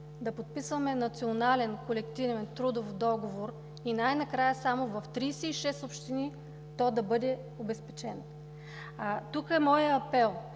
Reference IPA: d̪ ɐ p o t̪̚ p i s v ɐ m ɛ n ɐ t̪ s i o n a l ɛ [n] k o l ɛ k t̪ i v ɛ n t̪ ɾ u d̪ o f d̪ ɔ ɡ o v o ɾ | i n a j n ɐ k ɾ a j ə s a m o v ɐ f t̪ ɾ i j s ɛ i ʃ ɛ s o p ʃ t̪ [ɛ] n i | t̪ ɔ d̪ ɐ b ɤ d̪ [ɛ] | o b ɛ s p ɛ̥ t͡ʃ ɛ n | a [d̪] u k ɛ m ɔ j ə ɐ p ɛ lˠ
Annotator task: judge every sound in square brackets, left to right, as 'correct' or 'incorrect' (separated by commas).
correct, incorrect, correct, incorrect